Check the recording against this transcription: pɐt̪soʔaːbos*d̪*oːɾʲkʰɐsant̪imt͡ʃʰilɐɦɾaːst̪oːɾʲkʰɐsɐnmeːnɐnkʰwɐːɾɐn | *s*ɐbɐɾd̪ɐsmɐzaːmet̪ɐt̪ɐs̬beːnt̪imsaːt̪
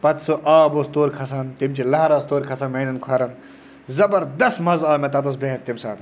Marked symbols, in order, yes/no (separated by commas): no, no